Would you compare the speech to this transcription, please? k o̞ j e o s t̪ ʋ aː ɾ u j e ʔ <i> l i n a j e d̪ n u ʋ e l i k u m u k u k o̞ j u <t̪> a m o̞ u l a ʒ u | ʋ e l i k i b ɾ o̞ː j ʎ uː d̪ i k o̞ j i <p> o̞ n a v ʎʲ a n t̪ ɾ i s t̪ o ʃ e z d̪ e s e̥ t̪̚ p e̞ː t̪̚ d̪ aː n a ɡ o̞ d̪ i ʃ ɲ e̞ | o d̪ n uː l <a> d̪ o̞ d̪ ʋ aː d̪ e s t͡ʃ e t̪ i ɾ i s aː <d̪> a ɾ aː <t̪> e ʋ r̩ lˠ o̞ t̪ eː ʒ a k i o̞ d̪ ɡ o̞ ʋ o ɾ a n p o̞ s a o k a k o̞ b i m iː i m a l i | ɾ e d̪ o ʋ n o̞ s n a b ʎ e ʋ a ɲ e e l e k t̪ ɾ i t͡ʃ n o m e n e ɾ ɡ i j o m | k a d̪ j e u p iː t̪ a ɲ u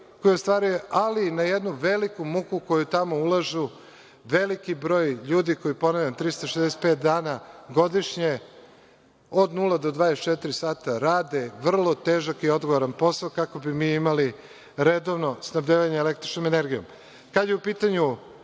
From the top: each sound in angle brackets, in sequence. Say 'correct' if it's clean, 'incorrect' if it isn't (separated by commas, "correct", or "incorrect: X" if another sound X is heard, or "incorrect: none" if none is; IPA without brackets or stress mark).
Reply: incorrect: a, correct, correct, correct, incorrect: t̪, incorrect: d̪